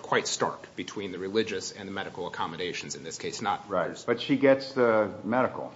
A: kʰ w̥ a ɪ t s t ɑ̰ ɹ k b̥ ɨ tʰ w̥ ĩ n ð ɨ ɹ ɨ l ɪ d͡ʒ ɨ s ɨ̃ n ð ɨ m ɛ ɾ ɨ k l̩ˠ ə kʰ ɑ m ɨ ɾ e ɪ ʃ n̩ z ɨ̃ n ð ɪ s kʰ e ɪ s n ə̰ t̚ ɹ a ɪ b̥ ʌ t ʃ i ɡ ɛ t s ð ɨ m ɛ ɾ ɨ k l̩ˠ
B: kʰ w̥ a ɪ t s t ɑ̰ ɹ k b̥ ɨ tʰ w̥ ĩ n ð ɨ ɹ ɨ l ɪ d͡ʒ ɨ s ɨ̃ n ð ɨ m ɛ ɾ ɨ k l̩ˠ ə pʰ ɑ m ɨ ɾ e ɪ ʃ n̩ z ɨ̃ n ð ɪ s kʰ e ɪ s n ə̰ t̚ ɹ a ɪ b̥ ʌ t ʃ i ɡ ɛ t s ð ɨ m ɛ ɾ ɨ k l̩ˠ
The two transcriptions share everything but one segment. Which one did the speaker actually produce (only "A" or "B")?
A